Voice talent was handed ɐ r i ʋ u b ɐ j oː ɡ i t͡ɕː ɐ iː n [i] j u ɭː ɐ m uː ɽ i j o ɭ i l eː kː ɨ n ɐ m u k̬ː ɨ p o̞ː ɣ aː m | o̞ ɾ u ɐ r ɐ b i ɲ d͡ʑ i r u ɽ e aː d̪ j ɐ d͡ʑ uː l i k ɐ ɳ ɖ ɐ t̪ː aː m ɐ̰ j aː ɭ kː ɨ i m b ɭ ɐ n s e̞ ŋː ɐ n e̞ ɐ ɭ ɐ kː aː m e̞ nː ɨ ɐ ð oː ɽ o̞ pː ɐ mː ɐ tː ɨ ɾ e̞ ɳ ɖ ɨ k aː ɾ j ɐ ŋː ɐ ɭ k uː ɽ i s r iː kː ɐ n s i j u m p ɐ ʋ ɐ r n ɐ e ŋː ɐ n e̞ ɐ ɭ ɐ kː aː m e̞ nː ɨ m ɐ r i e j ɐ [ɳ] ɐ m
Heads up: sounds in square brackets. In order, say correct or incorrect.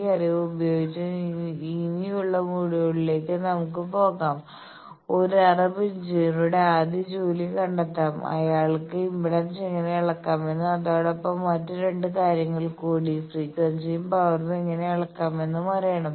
correct, correct

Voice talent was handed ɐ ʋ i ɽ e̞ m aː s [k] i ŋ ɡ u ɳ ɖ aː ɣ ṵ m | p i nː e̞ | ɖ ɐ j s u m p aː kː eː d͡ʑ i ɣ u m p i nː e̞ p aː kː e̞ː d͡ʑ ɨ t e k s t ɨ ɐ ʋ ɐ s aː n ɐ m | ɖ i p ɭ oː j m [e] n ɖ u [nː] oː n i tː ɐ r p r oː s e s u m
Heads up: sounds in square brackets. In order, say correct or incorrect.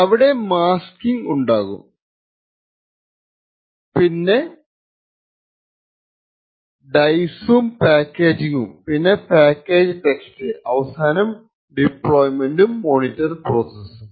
correct, correct, incorrect: mː

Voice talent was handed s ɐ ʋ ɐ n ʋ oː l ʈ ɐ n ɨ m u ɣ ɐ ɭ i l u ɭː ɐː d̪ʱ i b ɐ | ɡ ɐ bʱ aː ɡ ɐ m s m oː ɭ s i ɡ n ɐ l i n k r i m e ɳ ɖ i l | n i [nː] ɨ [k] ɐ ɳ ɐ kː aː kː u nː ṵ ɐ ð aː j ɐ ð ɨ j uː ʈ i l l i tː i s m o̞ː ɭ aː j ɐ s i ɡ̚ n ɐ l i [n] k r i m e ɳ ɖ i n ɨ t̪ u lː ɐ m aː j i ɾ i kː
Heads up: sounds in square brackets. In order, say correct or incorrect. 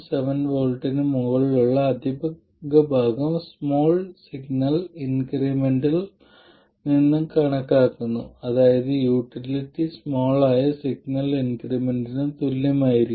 correct, correct, correct

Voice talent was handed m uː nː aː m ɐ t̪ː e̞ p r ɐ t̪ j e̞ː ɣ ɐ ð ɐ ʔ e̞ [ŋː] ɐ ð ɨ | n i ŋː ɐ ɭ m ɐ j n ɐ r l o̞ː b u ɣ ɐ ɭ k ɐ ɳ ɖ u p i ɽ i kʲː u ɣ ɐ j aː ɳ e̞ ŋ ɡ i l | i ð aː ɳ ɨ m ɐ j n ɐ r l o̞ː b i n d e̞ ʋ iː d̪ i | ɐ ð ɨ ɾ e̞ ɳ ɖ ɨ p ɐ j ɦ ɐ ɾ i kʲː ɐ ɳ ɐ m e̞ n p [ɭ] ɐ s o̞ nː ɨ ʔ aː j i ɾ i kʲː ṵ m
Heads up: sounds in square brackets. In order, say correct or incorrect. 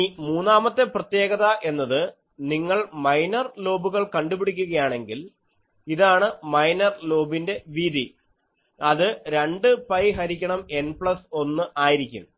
incorrect: nː, correct

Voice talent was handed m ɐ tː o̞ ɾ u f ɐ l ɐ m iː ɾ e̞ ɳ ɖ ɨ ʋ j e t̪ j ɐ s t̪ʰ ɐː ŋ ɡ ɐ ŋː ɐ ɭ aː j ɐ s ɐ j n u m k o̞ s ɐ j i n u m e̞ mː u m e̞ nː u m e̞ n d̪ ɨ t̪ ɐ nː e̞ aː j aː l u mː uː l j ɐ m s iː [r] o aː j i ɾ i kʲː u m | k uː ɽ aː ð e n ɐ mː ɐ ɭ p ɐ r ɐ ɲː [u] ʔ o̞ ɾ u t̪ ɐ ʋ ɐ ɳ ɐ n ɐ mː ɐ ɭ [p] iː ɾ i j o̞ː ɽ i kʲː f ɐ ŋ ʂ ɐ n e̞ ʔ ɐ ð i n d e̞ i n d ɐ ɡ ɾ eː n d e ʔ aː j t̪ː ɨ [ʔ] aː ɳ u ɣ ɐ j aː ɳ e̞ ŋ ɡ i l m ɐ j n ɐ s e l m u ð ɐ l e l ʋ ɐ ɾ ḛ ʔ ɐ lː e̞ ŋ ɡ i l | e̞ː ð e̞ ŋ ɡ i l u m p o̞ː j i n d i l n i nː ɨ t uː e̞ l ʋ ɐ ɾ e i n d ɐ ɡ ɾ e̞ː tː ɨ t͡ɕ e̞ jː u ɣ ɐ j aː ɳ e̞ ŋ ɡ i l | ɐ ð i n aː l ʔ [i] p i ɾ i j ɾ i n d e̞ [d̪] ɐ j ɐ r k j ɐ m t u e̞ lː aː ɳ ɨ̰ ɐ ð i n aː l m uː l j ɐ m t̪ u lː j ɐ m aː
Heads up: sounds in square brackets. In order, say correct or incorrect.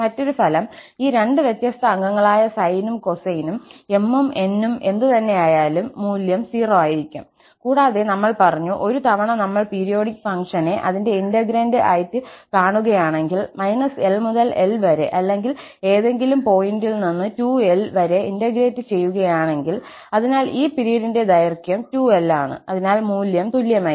correct, correct, correct, incorrect: k, incorrect: iː, correct

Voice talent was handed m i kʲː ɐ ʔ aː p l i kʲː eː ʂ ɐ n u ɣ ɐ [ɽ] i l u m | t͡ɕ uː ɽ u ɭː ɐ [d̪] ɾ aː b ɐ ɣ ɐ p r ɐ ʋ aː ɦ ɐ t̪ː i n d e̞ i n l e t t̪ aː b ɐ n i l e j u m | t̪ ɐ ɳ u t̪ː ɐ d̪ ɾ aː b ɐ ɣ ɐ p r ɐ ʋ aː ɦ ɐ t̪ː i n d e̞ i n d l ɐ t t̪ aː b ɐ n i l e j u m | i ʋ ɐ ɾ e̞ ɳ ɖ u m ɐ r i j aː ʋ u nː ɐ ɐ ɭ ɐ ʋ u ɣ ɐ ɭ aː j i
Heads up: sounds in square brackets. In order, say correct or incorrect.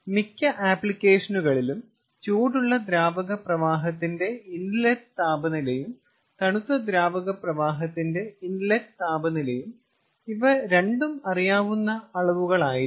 incorrect: ɭ, correct

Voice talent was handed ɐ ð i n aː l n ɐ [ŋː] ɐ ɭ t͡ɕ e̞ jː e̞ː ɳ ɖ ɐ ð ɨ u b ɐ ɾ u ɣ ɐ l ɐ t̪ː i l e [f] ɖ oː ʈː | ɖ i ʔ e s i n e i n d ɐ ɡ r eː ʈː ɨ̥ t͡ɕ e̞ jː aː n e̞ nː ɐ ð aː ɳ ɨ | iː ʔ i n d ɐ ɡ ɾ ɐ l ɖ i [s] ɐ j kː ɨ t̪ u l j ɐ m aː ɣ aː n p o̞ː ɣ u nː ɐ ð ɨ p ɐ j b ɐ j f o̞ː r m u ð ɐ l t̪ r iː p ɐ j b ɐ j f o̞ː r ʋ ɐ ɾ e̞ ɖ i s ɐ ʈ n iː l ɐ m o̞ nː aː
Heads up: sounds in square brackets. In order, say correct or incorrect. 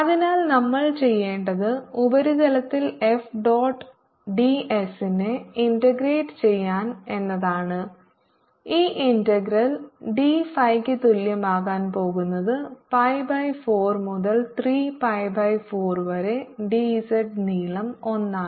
incorrect: mː, correct, incorrect: f

